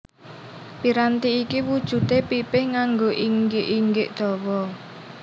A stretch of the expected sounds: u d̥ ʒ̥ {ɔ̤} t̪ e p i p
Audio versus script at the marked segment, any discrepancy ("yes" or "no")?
yes